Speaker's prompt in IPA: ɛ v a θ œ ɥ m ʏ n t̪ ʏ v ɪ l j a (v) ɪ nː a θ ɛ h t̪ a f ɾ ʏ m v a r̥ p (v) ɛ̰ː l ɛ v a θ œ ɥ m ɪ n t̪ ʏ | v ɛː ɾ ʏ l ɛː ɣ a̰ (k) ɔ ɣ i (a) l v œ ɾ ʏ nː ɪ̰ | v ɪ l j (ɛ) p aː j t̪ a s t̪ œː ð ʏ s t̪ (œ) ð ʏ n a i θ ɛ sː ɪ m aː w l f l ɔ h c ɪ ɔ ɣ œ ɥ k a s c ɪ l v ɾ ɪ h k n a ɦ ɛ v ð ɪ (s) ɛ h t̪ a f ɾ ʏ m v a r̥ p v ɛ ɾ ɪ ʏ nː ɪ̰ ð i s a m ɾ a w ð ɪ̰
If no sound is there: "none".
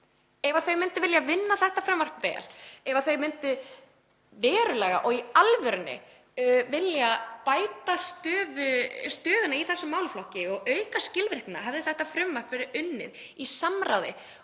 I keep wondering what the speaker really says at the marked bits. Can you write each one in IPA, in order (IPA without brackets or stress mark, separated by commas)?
v, v, ʔ, a, a, œː, θ